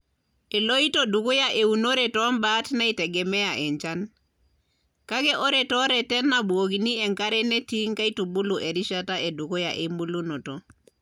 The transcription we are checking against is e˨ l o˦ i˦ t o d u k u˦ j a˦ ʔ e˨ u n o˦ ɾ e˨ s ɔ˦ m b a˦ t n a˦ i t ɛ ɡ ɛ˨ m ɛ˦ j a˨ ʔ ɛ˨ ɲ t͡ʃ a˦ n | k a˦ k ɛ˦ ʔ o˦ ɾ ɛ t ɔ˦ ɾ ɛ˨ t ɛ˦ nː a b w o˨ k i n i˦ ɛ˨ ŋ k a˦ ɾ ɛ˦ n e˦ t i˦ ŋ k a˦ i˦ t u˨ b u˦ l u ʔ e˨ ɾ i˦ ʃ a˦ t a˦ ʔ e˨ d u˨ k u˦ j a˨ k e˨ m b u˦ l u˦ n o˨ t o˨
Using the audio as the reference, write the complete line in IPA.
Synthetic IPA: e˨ l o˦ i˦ t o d u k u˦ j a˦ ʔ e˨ u n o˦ ɾ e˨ t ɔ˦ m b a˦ t n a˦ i t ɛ ɡ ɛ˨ m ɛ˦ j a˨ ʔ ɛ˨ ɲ t͡ʃ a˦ n | k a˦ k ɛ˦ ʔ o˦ ɾ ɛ t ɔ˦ ɾ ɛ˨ t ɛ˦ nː a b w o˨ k i n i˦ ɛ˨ ŋ k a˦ ɾ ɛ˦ n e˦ t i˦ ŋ k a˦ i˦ t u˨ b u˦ l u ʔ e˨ ɾ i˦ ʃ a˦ t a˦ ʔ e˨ d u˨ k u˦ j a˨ ʔ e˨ m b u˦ l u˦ n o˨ t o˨